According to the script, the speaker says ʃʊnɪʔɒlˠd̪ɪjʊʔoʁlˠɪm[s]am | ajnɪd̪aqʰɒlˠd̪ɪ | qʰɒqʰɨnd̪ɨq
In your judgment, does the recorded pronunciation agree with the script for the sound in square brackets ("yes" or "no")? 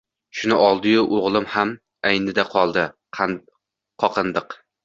no